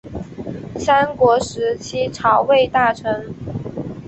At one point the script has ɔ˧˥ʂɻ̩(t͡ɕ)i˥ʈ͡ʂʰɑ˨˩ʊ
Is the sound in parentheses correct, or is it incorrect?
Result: incorrect